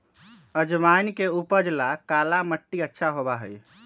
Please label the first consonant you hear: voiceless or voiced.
voiced